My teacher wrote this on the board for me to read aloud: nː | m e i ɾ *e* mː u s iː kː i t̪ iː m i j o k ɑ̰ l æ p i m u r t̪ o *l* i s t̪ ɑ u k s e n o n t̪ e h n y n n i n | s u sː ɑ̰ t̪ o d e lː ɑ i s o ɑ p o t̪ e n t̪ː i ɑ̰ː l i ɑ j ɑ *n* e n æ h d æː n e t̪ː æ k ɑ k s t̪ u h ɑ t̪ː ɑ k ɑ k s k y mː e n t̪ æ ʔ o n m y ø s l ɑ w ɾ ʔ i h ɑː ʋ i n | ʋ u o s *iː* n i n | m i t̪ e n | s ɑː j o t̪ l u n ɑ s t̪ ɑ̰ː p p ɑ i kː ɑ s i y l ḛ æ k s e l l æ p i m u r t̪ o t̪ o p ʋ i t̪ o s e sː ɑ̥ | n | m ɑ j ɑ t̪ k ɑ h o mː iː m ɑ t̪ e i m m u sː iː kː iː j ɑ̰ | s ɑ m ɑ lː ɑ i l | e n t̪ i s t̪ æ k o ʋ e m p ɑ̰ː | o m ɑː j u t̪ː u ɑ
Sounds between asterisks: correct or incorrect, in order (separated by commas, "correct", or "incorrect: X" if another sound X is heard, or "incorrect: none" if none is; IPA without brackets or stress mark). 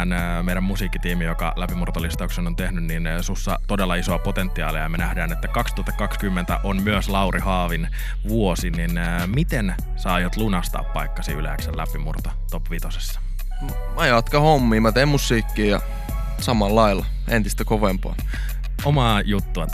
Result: incorrect: æ, correct, incorrect: m, incorrect: i